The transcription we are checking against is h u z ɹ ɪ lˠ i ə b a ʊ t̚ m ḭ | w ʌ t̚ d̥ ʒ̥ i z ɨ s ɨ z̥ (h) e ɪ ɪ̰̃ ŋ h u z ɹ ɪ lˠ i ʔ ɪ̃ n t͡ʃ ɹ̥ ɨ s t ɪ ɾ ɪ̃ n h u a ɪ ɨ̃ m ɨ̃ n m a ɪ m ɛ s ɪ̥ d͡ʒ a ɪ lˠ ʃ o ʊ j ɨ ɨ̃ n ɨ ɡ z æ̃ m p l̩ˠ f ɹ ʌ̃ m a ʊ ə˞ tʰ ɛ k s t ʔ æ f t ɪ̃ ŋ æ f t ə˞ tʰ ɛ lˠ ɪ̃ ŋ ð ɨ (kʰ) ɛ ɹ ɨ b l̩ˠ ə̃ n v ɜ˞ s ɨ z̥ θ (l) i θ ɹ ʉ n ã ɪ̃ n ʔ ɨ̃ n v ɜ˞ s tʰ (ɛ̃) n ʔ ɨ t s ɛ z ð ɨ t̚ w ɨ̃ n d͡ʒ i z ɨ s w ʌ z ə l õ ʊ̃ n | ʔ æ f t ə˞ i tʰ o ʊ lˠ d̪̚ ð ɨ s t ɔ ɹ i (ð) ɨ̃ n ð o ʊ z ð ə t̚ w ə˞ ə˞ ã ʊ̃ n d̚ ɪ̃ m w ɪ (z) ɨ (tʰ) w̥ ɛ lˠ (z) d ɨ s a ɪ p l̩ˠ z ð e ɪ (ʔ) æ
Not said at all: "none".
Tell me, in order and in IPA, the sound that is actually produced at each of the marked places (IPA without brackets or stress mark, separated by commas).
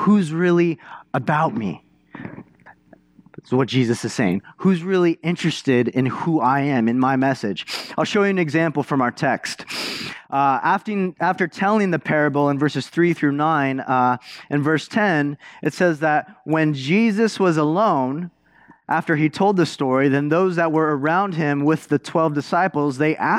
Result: s, pʰ, ɹ, ɛ̃, ð, ð, tʰ, v, ʔ